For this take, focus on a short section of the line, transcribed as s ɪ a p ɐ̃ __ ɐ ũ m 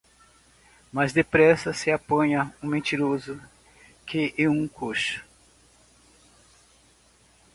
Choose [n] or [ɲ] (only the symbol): ɲ